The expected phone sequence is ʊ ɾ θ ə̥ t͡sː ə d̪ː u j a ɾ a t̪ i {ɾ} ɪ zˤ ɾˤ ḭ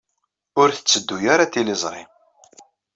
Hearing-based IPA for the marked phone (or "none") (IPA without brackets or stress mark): l